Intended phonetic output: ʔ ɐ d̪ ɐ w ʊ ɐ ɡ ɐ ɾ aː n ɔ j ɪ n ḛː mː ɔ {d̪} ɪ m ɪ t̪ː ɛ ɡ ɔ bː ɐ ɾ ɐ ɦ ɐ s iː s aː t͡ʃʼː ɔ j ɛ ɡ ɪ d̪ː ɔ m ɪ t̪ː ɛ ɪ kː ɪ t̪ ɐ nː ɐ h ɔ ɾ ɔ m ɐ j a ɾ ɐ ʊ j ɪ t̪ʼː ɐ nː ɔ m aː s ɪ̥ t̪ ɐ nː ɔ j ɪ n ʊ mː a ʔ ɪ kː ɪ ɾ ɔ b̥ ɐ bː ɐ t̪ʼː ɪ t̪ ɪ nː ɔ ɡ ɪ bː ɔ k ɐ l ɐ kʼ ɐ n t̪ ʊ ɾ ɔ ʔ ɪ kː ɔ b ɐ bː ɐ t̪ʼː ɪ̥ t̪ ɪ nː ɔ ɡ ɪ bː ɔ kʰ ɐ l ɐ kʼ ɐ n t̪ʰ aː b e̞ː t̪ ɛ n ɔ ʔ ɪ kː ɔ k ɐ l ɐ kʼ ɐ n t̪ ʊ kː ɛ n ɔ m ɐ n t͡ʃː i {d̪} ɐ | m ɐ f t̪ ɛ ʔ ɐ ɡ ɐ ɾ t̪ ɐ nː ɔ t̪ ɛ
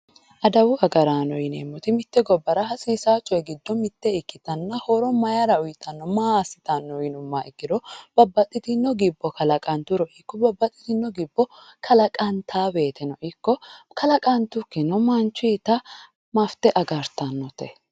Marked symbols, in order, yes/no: no, no

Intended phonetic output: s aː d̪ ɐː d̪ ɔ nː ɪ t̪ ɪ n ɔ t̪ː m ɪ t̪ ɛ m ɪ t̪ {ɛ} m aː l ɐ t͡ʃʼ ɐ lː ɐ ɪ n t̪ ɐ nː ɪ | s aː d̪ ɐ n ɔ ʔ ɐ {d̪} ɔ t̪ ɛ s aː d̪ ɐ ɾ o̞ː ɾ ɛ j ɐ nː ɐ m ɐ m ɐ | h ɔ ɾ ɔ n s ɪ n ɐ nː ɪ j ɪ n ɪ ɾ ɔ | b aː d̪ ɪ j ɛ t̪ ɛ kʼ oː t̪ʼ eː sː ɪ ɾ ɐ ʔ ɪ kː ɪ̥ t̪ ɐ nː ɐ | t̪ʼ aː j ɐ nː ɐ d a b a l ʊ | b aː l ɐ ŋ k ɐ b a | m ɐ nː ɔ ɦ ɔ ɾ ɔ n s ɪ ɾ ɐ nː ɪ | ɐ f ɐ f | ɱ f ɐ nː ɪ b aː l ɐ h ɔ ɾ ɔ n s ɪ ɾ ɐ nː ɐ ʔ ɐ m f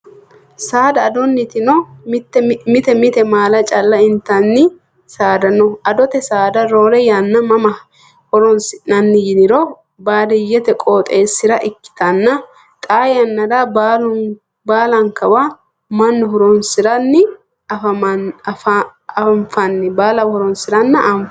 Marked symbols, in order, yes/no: yes, yes

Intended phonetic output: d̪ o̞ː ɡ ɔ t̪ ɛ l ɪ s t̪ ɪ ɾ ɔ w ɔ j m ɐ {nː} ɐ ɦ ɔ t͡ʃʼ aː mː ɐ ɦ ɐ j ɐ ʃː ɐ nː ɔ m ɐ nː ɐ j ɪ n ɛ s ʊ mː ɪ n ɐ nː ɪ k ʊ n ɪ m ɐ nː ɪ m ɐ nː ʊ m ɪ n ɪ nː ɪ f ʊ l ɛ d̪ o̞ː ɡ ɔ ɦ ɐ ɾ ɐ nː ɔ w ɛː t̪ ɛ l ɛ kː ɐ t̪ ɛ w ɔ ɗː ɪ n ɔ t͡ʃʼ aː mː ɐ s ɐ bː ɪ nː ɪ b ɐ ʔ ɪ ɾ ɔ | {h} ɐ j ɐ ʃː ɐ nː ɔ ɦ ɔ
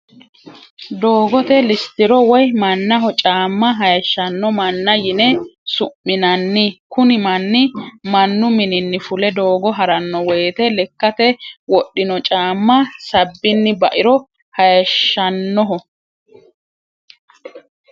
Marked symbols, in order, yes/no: yes, yes

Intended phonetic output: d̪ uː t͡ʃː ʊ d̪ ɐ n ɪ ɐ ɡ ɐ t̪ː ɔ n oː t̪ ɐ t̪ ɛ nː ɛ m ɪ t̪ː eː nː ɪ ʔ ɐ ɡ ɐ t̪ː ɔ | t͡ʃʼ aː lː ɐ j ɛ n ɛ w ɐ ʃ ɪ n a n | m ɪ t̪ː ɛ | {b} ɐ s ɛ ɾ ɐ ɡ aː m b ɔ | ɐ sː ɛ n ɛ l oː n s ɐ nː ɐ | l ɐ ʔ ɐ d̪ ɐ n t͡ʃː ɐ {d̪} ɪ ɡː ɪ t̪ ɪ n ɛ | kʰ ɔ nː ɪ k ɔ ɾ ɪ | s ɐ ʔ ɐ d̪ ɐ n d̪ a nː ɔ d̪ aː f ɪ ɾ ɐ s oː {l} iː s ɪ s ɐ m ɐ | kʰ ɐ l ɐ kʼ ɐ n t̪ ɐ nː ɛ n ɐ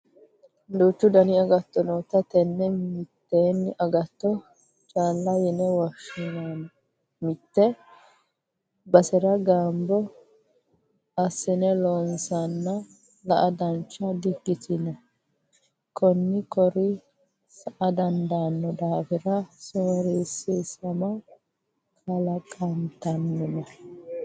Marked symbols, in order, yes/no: yes, yes, no

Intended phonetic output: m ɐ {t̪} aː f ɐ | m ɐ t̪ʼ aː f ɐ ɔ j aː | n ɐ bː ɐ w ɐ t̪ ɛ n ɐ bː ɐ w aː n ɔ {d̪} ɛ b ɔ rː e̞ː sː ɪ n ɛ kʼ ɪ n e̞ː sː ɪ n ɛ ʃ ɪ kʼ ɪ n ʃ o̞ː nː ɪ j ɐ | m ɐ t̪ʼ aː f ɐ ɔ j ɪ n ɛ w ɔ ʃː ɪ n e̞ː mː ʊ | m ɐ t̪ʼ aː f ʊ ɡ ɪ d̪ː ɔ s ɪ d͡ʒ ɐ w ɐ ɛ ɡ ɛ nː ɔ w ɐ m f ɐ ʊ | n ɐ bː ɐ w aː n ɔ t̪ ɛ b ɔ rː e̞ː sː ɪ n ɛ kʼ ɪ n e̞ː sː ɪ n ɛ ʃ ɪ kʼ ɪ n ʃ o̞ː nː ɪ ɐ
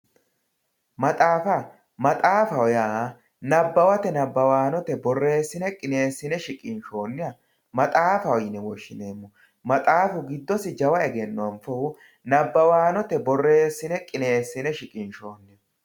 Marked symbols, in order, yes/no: no, no

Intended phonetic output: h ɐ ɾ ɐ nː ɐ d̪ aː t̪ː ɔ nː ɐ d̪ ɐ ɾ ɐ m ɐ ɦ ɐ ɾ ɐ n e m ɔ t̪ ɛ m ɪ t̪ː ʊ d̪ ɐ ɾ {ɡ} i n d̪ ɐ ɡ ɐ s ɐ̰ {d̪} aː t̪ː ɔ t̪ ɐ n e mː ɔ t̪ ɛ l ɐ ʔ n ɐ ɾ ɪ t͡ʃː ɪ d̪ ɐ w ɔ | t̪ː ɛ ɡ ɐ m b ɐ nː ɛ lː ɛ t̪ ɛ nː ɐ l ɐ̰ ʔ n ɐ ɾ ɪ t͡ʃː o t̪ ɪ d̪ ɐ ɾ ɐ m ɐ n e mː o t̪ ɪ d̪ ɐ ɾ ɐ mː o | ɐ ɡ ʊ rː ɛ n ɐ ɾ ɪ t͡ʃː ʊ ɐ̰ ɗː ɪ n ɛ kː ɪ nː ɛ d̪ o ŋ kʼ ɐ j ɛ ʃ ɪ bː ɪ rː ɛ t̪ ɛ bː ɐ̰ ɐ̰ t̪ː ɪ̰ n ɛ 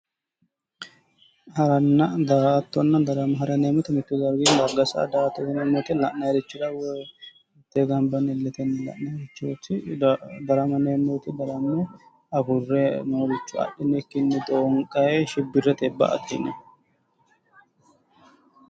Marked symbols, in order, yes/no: yes, yes

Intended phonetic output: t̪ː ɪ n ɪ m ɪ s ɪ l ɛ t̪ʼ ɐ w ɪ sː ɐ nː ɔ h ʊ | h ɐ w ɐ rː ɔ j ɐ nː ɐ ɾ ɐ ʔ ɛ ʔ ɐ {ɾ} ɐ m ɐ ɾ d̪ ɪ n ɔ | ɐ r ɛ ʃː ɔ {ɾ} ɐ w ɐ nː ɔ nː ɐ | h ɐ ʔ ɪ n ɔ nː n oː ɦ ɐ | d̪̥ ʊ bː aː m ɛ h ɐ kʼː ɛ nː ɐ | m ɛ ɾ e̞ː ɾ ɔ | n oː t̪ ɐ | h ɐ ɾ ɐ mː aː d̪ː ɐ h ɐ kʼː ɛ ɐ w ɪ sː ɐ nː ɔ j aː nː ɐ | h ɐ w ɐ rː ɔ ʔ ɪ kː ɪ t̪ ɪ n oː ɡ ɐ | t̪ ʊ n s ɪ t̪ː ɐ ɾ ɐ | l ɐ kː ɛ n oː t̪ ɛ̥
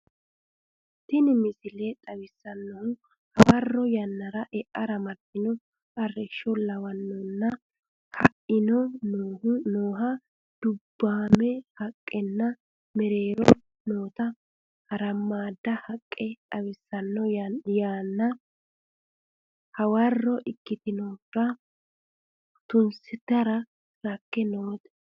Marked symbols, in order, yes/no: yes, no

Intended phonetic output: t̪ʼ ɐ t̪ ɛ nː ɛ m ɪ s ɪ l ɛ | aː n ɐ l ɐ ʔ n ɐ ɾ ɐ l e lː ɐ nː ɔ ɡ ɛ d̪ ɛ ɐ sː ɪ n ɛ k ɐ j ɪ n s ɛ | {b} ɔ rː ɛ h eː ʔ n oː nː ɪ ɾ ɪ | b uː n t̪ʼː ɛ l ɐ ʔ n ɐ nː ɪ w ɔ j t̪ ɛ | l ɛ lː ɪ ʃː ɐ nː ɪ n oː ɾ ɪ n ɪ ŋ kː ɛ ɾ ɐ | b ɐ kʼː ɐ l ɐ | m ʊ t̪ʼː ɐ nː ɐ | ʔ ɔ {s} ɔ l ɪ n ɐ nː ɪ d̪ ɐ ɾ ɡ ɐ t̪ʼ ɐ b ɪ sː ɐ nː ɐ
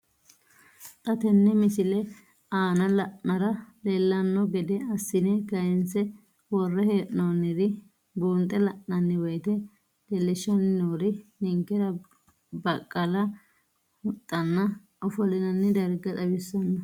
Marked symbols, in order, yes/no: no, no

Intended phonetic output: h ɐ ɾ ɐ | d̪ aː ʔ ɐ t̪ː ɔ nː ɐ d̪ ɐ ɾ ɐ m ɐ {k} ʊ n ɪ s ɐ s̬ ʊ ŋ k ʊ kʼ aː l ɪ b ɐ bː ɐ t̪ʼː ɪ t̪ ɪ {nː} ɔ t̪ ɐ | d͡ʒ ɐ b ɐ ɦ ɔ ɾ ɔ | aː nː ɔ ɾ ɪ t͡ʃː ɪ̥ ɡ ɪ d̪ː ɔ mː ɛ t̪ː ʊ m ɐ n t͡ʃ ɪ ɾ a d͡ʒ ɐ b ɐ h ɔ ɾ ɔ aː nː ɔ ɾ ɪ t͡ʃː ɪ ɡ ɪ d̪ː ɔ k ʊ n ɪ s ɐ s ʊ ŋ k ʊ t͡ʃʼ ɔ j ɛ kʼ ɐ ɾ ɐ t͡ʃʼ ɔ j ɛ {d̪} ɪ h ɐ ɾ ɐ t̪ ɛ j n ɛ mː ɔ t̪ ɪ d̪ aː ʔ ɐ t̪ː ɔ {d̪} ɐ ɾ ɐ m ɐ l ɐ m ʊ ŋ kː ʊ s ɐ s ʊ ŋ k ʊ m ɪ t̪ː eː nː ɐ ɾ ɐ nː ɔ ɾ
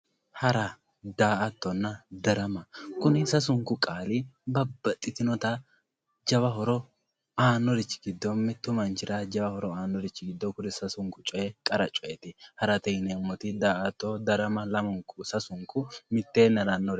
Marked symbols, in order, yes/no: yes, no, no, yes

